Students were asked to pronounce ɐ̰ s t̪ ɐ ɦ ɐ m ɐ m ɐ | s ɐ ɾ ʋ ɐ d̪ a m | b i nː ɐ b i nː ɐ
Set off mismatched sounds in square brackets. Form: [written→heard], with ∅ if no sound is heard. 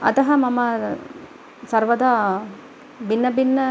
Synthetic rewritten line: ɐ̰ [s→∅] t̪ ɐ ɦ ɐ m ɐ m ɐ | s ɐ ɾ ʋ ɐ d̪ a [m→∅] | b i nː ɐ b i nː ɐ

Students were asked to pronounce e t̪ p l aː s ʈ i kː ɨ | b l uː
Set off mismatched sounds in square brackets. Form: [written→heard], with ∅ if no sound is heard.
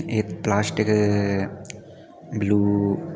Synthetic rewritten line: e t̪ p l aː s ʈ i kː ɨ | b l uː

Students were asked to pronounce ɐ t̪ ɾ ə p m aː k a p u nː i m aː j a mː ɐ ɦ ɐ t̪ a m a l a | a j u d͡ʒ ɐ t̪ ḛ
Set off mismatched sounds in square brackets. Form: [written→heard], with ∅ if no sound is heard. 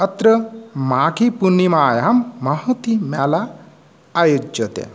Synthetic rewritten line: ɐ t̪ ɾ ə [p→∅] m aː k [a→i] p u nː i m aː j a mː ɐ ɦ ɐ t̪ [a→i] m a l a | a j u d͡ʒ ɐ t̪ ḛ

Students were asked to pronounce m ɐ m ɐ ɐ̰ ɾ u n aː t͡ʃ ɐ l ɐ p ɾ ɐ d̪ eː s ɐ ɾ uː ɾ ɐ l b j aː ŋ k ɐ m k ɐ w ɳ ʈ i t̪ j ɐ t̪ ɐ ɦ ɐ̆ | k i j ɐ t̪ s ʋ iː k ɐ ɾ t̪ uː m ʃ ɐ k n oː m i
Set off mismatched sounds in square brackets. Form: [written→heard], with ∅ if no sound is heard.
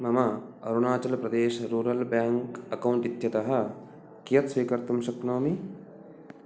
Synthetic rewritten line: m ɐ m ɐ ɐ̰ ɾ u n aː t͡ʃ ɐ l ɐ p ɾ ɐ d̪ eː [s→ʃ] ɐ ɾ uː ɾ ɐ l b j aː ŋ k ɐ [m→∅] k ɐ w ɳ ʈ i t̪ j ɐ t̪ ɐ ɦ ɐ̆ | k i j ɐ t̪ s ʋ iː k ɐ ɾ t̪ [uː→u] m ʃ ɐ k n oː m i

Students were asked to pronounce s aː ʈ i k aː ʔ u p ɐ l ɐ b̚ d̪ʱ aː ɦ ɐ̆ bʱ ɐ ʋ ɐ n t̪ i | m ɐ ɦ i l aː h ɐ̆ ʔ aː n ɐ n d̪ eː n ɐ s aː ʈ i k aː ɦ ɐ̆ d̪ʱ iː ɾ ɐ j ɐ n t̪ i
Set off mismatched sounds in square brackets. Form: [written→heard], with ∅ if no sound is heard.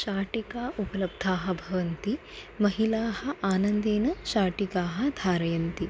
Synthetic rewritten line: [s→ʃ] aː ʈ i k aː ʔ u p ɐ l ɐ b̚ d̪ʱ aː ɦ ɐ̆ bʱ ɐ ʋ ɐ n t̪ i | m ɐ ɦ i l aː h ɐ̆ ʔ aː n ɐ n d̪ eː n ɐ [s→ʃ] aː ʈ i k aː ɦ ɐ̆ d̪ʱ [iː→aː] ɾ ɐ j ɐ n t̪ i

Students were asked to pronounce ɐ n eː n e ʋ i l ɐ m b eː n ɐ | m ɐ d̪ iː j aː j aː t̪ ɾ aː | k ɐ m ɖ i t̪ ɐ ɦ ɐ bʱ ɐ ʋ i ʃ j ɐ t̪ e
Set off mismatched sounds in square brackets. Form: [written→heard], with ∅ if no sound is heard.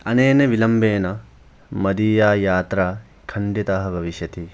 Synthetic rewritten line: ɐ n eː n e ʋ i l ɐ m b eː n ɐ | m ɐ d̪ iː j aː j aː t̪ ɾ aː | [k→kʰ] ɐ [m→ɳ] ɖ i t̪ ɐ ɦ ɐ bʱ ɐ ʋ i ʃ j ɐ t̪ [e→i]

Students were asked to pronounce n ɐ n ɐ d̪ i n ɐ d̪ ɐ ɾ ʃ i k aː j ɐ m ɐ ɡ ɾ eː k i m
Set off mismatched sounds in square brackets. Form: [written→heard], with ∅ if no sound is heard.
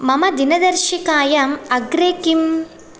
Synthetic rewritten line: [n→m] ɐ [n→m] ɐ d̪ i n ɐ d̪ ɐ ɾ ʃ i k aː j ɐ m ɐ ɡ ɾ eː k i m

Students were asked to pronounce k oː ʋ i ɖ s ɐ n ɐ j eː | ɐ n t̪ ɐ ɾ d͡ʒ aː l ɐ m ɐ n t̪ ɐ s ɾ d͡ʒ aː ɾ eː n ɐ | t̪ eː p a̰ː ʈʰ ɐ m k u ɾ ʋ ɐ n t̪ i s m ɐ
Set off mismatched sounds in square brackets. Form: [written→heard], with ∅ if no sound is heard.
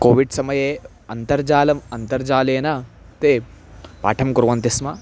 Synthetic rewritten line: k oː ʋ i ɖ s ɐ [n→m] ɐ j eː | ɐ n t̪ ɐ ɾ d͡ʒ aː l ɐ m ɐ n t̪ ɐ [s→∅] ɾ d͡ʒ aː [ɾ→l] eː n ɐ | t̪ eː p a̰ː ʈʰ ɐ m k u ɾ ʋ ɐ n t̪ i s m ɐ

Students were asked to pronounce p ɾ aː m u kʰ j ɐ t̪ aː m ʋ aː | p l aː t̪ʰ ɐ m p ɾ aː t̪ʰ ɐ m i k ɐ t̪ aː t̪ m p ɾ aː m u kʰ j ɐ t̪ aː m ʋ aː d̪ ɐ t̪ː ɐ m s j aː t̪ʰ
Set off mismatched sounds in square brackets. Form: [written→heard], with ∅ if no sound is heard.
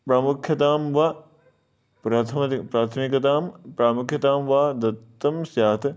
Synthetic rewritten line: p ɾ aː m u kʰ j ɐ t̪ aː m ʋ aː | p [l→ɾ] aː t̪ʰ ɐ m p ɾ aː t̪ʰ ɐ m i k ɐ t̪ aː [t̪→∅] m p ɾ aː m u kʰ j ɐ t̪ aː m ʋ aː d̪ ɐ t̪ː ɐ m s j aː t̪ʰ

